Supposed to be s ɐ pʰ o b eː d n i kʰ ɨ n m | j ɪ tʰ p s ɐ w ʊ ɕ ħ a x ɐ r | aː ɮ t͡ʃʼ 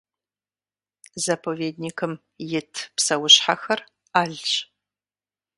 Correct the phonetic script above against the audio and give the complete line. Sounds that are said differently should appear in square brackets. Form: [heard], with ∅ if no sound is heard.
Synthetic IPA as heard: [z] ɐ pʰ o [v] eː d n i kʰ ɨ [∅] m | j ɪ tʰ p s ɐ w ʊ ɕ ħ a x ɐ r | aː ɮ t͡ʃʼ